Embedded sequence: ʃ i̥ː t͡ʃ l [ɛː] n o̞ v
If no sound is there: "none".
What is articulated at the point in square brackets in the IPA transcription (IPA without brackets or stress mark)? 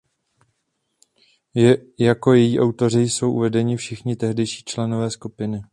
ɛ